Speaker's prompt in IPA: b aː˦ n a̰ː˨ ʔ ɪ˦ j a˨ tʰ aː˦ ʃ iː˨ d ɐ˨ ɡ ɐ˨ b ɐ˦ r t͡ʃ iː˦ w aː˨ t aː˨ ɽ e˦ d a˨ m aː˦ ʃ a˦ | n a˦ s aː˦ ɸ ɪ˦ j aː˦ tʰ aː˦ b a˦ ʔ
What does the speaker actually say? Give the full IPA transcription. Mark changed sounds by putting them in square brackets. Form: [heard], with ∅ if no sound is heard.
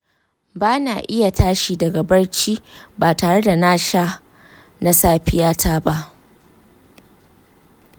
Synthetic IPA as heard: b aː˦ n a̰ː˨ ʔ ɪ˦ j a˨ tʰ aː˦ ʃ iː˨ d ɐ˨ ɡ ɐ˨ b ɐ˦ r t͡ʃ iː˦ [b] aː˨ t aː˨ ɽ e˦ d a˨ [n] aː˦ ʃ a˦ | n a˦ s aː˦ ɸ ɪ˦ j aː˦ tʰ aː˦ b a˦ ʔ